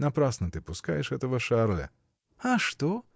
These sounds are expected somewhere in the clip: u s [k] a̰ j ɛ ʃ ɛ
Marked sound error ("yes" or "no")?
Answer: no